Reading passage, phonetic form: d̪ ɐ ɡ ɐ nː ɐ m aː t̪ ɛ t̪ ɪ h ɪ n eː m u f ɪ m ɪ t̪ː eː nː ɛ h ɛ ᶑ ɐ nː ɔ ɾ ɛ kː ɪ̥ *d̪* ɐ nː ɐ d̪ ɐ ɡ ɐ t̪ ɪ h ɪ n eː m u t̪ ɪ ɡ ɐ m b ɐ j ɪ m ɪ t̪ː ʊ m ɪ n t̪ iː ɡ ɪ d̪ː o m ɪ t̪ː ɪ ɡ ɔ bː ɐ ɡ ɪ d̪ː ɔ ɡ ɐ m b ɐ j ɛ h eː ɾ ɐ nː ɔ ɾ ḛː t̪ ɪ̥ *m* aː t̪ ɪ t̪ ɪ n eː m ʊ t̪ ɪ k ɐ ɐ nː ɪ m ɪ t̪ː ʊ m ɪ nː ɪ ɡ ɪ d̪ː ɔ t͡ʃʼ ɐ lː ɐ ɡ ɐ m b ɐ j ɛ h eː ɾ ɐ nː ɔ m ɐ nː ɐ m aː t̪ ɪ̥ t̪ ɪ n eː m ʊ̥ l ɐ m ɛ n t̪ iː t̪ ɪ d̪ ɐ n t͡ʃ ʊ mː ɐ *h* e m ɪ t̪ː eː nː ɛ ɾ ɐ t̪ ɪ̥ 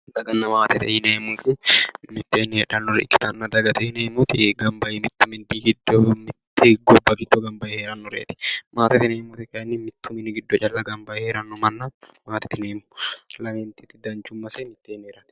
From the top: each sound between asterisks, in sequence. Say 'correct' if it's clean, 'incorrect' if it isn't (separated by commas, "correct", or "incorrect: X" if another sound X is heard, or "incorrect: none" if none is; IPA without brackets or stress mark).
incorrect: t̪, correct, incorrect: s